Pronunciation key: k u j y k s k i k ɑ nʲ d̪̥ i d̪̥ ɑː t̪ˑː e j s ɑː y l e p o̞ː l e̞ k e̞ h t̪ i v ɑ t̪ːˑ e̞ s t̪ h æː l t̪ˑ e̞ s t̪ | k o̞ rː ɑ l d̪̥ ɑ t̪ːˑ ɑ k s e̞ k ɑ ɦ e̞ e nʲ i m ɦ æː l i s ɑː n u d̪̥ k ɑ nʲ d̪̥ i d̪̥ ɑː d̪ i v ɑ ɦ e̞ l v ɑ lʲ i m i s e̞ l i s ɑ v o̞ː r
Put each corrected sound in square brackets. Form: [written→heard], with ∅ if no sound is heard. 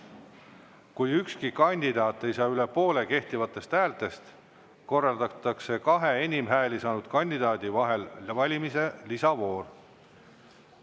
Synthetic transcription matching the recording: k u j y k s k i k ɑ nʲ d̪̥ i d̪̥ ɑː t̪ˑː e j s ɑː y l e p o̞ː l e̞ k e̞ h t̪ i v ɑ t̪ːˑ e̞ s t̪ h æː l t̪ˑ e̞ s t̪ | k o̞ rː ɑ l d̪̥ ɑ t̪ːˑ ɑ k s e̞ k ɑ ɦ e̞ e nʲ i m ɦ æː l i s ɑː n u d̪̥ k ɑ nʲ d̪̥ i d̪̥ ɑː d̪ i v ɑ ɦ e̞ l v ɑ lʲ i m i s e̞ l i s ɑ v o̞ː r